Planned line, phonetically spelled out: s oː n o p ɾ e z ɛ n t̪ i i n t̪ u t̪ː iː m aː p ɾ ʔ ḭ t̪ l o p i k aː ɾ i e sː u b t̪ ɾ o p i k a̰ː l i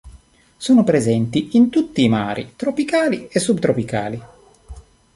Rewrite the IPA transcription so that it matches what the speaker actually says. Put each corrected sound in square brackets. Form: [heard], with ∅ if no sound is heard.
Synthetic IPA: s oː n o p ɾ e z ɛ n t̪ i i n t̪ u t̪ː iː m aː [∅] ɾ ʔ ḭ t̪ [ɾ] o p i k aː [l] i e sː u b t̪ ɾ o p i k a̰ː l i